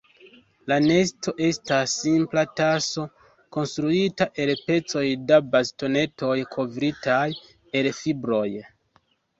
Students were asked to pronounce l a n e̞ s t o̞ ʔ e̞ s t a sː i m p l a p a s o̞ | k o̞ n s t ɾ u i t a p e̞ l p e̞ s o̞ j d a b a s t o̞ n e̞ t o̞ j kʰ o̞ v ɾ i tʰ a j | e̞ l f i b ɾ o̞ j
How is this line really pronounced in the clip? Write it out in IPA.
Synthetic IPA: l a n e̞ s t o̞ ʔ e̞ s t a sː i m p l a t a s o̞ | k o̞ n s t ɾ u i t a ʔ e̞ l p e̞ t͡s o̞ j d a b a s t o̞ n e̞ t o̞ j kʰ o̞ v ɾ i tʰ a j | e̞ l f i b ɾ o̞ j